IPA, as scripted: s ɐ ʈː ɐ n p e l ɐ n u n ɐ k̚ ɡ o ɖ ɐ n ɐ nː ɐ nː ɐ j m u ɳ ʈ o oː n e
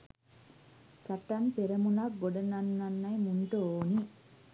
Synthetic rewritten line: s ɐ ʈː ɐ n p e ɾ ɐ m u n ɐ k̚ ɡ o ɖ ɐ n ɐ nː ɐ nː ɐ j m u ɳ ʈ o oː n i

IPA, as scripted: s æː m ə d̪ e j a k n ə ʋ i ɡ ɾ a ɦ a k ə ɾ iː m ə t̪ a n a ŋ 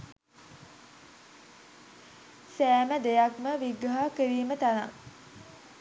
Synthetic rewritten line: s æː m ə d̪ e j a k m ə ʋ i ɡ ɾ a ɦ a k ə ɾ iː m ə t̪ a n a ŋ

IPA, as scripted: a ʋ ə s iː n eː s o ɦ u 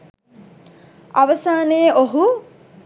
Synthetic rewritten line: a ʋ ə s aː n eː o ɦ u

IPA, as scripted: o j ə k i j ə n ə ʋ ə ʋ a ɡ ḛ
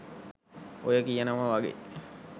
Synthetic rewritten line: o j ə k i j ə n ə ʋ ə ʋ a ɡ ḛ

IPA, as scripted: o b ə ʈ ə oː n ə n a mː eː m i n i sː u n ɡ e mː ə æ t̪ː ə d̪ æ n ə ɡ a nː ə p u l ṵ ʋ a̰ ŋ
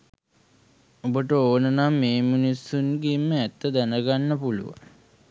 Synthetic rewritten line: o b ə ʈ ə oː n ə n a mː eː m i n i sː u n ɡ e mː ə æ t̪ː ə d̪ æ n ə ɡ a nː ə p u l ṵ ʋ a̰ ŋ

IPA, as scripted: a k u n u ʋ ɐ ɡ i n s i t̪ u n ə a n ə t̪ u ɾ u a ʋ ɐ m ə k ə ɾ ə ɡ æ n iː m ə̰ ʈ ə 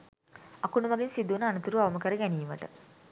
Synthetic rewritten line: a k u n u ʋ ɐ ɡ i n s i d̪ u n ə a n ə t̪ u ɾ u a ʋ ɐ m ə k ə ɾ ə ɡ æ n iː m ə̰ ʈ ə

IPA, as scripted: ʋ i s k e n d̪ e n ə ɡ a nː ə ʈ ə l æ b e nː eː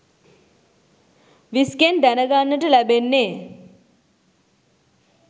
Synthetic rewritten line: ʋ i s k e n d̪ æ n ə ɡ a nː ə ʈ ə l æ b e nː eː

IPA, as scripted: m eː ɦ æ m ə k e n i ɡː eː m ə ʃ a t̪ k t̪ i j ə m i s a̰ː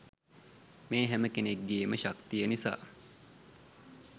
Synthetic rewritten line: m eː ɦ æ m ə k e n e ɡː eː m ə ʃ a k t̪ i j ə n i s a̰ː

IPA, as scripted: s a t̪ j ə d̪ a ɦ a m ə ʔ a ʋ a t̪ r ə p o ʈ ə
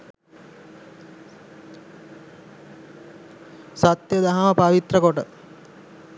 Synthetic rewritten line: s a t̪ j ə d̪ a ɦ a m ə p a ʋ i t̪ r ə k o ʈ ə

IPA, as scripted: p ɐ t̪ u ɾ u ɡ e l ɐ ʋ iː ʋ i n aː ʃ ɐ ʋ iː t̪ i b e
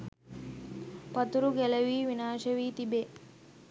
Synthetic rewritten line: p ɐ t̪ u ɾ u ɡ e l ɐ ʋ iː ʋ i n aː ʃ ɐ ʋ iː t̪ i b e

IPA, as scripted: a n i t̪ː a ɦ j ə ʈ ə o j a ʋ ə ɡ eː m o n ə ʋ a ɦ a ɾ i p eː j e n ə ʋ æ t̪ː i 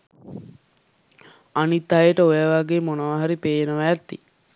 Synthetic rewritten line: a n i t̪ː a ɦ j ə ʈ ə o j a ʋ a ɡ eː m o n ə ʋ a ɦ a ɾ i p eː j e n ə ʋ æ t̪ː i

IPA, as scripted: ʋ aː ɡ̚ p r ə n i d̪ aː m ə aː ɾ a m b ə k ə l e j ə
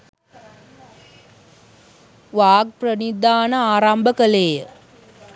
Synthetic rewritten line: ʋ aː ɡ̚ p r ə n i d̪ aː n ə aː ɾ a m b ə k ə l e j ə

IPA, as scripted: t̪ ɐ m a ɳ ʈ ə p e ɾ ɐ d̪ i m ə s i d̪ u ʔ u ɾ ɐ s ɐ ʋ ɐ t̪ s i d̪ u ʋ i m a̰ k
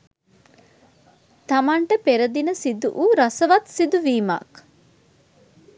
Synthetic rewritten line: t̪ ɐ m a ɳ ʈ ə p e ɾ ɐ d̪ i n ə s i d̪ u ʔ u ɾ ɐ s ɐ ʋ ɐ t̪ s i d̪ u ʋ iː m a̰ k

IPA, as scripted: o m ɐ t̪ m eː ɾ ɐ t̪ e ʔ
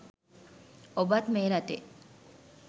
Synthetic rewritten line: o b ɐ t̪ m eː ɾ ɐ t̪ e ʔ

